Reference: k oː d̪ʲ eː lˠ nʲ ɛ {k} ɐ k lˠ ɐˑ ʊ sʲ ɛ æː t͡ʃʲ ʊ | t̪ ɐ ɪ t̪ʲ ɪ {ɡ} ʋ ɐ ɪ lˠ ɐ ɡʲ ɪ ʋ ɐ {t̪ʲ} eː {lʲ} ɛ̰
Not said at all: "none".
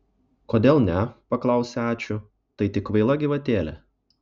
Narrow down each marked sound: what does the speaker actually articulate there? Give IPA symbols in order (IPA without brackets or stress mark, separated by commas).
p, k, t̪ʲ, lʲ